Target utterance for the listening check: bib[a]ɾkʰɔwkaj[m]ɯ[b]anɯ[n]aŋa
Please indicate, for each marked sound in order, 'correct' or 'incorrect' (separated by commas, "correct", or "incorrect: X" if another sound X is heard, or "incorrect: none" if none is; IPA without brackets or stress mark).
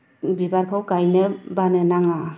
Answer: correct, incorrect: n, correct, correct